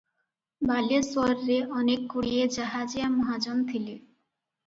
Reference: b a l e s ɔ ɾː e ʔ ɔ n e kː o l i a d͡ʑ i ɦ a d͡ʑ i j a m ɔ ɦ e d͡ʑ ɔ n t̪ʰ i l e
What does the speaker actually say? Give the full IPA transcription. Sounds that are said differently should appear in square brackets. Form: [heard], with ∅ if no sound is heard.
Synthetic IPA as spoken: b a l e s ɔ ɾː e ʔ ɔ n e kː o [ɽ] i [e] d͡ʑ [a] ɦ a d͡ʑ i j a m ɔ ɦ [a] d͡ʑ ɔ n t̪ʰ i l e